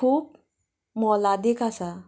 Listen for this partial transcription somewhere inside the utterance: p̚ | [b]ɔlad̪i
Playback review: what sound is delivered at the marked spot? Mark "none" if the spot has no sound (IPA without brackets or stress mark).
m